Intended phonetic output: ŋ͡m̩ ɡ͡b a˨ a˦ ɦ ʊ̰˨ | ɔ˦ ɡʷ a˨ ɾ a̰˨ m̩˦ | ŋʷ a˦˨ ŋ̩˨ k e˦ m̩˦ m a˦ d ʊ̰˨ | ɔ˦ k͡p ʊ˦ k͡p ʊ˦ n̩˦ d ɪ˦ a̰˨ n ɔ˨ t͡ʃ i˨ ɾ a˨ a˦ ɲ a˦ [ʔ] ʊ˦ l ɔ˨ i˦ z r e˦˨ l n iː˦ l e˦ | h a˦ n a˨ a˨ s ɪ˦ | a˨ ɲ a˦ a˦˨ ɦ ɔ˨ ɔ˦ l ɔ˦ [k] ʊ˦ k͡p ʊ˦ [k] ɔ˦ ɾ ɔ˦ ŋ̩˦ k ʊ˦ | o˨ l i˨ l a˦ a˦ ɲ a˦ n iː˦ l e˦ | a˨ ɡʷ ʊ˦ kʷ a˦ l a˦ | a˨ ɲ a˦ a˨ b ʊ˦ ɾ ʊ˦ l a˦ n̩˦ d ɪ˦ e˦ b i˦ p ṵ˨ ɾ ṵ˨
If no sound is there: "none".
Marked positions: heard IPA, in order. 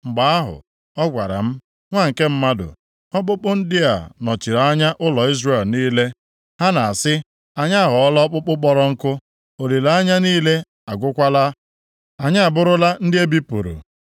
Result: ʔ, k͡p, k͡p

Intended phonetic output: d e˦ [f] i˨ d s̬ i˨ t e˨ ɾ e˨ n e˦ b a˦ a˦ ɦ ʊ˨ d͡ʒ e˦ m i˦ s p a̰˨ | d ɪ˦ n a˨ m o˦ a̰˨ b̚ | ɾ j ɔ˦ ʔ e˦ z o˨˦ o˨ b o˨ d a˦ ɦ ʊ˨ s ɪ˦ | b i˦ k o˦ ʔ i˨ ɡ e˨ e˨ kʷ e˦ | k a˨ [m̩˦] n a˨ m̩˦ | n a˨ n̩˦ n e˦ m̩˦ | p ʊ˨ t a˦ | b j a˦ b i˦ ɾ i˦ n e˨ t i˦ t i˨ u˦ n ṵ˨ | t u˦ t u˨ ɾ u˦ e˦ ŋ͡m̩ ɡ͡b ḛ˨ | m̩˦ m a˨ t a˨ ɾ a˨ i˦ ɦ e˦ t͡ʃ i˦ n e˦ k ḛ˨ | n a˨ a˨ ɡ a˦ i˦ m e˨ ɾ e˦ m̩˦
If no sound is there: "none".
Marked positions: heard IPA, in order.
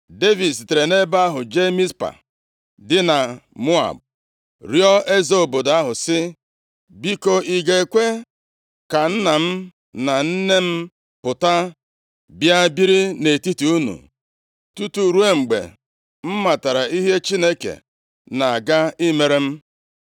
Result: v, n̩˦

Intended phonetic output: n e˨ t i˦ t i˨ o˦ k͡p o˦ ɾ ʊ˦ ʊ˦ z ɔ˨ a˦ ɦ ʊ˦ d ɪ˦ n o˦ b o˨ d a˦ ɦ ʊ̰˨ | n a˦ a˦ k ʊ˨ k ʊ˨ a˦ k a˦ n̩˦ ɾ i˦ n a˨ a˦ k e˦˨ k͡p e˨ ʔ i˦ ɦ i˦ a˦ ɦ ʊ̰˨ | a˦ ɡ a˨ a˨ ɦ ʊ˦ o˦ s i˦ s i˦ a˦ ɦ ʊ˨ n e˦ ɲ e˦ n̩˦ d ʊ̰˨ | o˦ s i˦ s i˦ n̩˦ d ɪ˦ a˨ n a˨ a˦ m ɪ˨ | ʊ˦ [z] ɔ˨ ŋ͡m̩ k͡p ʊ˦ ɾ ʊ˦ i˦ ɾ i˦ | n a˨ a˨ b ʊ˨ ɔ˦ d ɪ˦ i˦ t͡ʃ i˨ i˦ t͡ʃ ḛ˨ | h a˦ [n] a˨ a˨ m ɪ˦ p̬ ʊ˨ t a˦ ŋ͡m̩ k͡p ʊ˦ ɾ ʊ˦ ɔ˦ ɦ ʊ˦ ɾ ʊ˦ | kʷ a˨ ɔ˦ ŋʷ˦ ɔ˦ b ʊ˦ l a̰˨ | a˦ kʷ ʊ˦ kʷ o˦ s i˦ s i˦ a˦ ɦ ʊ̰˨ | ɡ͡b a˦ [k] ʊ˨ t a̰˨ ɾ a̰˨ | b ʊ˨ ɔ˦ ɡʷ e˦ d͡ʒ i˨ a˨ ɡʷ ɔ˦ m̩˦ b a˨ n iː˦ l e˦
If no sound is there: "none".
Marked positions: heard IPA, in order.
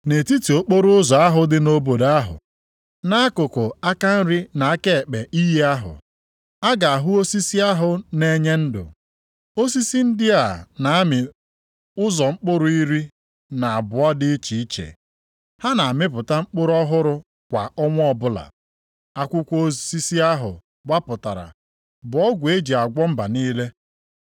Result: z, n, p

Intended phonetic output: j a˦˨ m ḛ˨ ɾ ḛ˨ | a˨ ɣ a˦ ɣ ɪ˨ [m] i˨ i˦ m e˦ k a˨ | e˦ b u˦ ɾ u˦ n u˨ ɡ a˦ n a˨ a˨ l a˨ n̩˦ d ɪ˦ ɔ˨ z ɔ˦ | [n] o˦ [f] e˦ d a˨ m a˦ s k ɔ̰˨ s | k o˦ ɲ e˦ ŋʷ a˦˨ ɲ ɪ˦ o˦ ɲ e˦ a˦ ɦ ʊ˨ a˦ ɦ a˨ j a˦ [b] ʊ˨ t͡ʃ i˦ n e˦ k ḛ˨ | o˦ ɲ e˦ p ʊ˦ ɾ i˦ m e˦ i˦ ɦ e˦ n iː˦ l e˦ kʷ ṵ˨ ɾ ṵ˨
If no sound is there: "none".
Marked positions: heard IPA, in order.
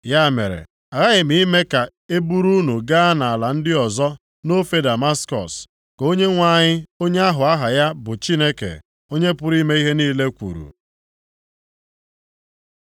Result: m, n, f, b

